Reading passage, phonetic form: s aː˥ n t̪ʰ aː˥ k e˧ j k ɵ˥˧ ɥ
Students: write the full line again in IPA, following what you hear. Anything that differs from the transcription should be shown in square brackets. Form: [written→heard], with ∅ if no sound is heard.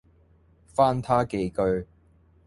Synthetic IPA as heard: [s→f] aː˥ n t̪ʰ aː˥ k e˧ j k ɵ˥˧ ɥ